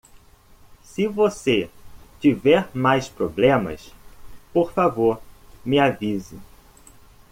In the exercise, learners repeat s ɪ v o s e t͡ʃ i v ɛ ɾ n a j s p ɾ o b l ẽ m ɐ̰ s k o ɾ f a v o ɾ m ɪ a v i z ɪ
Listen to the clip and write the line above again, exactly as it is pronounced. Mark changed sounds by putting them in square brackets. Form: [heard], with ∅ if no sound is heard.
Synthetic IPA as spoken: s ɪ v o s e t͡ʃ i v ɛ ɾ [m] a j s p ɾ o b l ẽ m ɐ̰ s [p] o ɾ f a v o ɾ m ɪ a v i z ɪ